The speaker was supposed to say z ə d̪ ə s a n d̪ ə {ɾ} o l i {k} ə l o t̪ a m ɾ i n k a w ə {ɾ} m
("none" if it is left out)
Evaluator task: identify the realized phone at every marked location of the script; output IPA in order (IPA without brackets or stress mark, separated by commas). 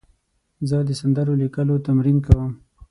ɾ, k, none